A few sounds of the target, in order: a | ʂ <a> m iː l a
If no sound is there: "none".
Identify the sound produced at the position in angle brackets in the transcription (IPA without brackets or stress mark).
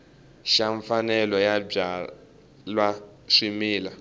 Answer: i